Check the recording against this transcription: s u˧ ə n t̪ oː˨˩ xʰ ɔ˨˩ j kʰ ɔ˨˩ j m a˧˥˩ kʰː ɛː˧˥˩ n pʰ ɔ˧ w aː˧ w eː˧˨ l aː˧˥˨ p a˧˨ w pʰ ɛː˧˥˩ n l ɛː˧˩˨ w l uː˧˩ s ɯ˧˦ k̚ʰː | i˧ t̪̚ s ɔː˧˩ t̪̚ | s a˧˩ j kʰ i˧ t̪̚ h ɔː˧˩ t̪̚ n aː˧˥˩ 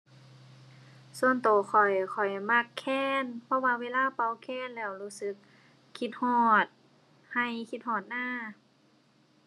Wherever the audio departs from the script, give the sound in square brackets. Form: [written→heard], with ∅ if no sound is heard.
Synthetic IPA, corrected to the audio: s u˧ ə n t̪ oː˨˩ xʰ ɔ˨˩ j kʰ ɔ˨˩ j m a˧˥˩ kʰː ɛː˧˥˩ n pʰ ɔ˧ w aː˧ w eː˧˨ l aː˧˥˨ p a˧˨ w [pʰ→kʰ] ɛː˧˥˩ n l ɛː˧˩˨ w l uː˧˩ s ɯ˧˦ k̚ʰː | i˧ t̪̚ [s→h] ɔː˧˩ t̪̚ | [s→h] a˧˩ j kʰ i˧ t̪̚ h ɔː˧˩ t̪̚ n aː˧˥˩

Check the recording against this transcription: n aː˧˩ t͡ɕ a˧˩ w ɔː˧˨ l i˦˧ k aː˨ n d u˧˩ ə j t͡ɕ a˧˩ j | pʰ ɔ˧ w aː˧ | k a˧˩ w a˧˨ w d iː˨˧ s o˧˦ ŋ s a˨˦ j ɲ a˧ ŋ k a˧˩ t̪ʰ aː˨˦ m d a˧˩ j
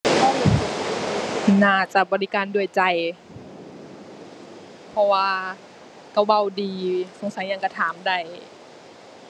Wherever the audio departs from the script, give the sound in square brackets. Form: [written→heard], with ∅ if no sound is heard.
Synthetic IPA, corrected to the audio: n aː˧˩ t͡ɕ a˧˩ [w→b] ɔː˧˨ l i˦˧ k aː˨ n d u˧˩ ə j t͡ɕ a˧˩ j | pʰ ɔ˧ w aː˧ | k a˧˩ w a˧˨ w d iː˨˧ s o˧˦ ŋ s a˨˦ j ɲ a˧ ŋ k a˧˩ t̪ʰ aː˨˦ m d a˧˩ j

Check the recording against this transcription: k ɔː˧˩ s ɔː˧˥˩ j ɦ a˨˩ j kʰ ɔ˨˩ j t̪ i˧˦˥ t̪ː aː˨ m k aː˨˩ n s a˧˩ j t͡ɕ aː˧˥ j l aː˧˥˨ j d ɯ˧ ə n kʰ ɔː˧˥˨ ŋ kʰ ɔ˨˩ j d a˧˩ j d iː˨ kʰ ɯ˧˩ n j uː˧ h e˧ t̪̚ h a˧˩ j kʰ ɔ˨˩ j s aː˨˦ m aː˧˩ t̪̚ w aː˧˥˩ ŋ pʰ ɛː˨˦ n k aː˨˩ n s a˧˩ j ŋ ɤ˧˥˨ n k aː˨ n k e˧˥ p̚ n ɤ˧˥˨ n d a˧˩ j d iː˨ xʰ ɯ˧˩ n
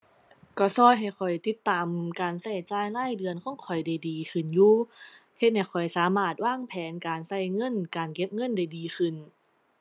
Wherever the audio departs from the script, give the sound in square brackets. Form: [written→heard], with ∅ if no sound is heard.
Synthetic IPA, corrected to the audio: k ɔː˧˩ s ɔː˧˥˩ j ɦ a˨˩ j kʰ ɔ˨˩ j t̪ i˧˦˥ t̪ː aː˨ m k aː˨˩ n s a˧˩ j t͡ɕ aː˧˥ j l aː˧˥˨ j d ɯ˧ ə n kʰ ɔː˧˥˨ ŋ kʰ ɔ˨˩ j d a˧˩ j d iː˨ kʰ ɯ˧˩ n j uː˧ h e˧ t̪̚ h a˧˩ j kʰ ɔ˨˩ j s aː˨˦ m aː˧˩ t̪̚ w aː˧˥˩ ŋ pʰ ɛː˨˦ n k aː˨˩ n s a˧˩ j ŋ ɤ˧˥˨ n k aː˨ n k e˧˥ p̚ [n→ŋ] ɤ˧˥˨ n d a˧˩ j d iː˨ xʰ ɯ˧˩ n

